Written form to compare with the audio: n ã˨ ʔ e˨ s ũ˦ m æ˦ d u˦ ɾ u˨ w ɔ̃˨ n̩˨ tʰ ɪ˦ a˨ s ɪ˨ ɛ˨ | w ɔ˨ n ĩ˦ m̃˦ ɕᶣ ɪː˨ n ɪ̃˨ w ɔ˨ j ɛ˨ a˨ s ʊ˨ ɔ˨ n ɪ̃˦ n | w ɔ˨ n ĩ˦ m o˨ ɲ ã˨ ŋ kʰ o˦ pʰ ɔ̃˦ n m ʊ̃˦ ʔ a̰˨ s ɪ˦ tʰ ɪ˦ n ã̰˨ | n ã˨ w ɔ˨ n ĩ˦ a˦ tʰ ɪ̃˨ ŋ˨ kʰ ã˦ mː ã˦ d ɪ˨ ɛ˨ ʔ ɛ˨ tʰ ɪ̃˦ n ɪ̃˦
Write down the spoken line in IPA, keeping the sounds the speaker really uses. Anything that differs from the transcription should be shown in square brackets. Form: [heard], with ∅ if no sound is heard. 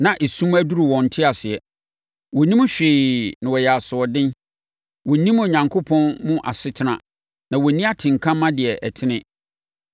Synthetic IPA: n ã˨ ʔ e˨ s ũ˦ m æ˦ d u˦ ɾ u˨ w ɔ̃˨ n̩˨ tʰ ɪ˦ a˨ s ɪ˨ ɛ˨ | w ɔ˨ n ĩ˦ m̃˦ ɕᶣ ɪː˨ n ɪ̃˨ w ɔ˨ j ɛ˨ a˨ s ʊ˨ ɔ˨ [d] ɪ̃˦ n | w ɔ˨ n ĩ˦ m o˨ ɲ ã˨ ŋ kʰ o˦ pʰ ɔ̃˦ n m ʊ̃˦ ʔ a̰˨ s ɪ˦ tʰ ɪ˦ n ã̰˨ | n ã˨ w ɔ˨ n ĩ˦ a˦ tʰ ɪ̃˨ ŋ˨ kʰ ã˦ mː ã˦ d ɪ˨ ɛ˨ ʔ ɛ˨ tʰ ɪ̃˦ n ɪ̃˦